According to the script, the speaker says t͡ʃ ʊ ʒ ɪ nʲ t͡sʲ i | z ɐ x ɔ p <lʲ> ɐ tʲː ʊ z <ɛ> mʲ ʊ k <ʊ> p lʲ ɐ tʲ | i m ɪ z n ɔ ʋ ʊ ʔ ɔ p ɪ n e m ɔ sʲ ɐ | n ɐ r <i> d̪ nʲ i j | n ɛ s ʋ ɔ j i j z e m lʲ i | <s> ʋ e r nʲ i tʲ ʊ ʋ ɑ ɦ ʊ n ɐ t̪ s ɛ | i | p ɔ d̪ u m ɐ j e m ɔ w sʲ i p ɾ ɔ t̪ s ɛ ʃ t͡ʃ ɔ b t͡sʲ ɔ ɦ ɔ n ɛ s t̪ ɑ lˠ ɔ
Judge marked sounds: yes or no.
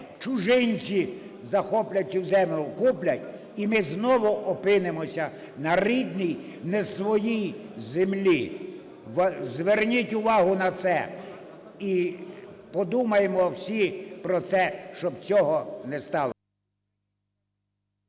yes, yes, no, yes, no

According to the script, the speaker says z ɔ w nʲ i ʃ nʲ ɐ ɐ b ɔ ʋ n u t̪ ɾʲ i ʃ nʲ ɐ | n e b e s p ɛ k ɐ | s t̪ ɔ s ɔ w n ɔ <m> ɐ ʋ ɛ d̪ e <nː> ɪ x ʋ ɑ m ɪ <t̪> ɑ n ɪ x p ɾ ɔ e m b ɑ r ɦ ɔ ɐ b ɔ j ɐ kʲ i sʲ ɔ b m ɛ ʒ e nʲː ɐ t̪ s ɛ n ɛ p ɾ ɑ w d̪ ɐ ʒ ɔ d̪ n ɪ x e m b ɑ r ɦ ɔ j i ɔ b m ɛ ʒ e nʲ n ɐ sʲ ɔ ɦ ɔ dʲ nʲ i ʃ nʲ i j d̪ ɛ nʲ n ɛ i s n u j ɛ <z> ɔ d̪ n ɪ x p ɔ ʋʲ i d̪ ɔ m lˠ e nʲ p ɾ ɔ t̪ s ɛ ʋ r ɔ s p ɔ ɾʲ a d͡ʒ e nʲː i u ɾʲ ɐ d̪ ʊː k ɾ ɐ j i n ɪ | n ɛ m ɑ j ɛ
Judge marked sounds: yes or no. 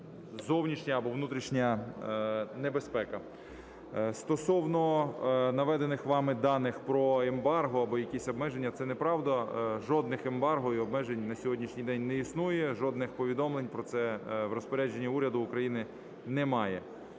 no, no, no, no

